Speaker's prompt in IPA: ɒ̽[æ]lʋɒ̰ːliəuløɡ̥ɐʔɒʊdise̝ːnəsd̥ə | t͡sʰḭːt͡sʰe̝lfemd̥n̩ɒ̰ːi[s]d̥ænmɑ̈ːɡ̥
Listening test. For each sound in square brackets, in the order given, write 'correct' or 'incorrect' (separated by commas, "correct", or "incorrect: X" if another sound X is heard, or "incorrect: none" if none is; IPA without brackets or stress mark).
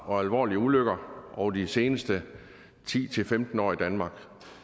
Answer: correct, incorrect: none